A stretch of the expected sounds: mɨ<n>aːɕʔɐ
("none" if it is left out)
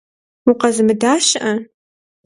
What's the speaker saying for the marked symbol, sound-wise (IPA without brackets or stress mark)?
d